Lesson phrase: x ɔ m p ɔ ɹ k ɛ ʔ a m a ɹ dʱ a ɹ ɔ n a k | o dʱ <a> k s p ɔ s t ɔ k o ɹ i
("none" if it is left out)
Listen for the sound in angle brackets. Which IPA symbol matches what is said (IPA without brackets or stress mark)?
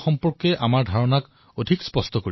i